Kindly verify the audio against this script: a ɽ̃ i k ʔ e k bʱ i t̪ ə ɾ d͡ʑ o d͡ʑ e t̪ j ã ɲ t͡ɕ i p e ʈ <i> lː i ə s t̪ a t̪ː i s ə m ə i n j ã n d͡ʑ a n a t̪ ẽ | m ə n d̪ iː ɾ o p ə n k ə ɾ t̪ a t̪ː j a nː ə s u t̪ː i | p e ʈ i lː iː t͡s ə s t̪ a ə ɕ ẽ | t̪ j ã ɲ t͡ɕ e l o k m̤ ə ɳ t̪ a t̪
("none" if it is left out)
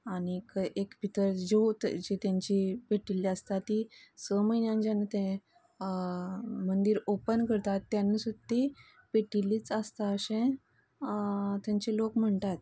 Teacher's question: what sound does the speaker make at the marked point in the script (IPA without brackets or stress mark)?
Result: i